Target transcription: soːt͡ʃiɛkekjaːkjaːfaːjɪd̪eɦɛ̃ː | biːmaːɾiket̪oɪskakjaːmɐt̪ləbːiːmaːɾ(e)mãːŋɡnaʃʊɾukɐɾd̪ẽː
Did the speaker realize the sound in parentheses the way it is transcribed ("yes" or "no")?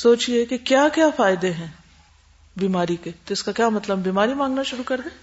no